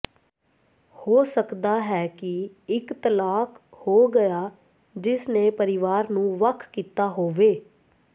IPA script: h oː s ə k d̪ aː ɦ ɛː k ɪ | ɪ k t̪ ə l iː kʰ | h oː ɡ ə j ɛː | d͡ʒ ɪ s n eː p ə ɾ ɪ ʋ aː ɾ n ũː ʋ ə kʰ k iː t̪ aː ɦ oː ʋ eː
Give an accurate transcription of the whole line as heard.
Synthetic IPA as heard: h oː s ə k d̪ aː ɦ ɛː k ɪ | ɪ k t̪ ə l aː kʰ | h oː ɡ ə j aː | d͡ʒ ɪ s n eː p ə ɾ ɪ ʋ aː ɾ n ũː ʋ ə kʰ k iː t̪ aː ɦ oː ʋ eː

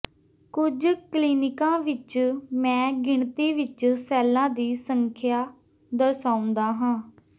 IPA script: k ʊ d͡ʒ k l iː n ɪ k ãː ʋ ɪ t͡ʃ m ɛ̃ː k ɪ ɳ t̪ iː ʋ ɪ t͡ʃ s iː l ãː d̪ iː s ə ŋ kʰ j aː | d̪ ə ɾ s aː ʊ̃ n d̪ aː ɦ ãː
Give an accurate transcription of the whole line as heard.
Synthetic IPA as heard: k ʊ d͡ʒ k l iː n ɪ k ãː ʋ ɪ t͡ʃ m ɛ̃ː ɡ ɪ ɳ t̪ iː ʋ ɪ t͡ʃ s ɛː l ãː d̪ iː s ə ŋ kʰ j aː | d̪ ə ɾ s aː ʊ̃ n d̪ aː ɦ ãː

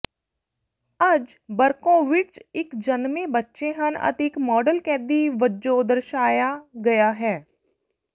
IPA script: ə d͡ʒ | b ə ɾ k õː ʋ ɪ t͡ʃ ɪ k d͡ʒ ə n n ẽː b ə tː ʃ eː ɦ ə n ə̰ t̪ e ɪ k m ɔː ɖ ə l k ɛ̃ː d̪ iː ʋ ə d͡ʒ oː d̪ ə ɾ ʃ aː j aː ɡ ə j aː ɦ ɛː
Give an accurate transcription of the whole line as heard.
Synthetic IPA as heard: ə d͡ʒ | b ə ɾ k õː ʋ ɪ t͡ʃ ɪ k d͡ʒ ə n m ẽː b ə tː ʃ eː ɦ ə n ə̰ t̪ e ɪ k m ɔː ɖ ə l k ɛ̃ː d̪ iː ʋ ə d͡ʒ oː d̪ ə ɾ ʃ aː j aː ɡ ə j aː ɦ ɛː

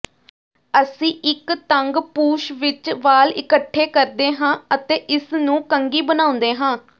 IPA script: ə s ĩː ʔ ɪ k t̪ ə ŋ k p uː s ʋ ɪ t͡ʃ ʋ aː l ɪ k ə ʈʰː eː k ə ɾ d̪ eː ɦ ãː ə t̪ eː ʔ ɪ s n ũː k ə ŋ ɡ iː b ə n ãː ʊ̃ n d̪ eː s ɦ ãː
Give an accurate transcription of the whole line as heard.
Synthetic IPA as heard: ə s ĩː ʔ ɪ k t̪ ə ŋ ɡ p uː ʃ ʋ ɪ t͡ʃ ʋ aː l ɪ k ə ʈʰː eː k ə ɾ d̪ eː ɦ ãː ə t̪ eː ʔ ɪ s n ũː k ə ŋ ɡ iː b ə n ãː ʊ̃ n d̪ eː ɦ ãː

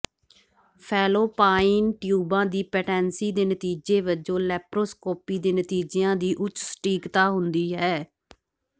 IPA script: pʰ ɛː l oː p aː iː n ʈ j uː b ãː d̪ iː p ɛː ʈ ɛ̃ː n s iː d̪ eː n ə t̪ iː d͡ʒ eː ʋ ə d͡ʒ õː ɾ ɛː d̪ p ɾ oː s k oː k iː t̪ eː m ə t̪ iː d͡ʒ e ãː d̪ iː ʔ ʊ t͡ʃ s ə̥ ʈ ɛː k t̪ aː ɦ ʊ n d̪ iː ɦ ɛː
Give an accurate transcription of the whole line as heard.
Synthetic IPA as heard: pʰ ɛː l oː p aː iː n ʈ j uː b ãː d̪ iː p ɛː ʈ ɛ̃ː n s iː d̪ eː n ə t̪ iː d͡ʒ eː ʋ ə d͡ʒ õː l ɛː p ɾ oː s k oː p iː d̪ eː n ə t̪ iː d͡ʒ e ãː d̪ iː ʔ ʊ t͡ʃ s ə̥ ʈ iː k t̪ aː ɦ ʊ n d̪ iː ɦ ɛː

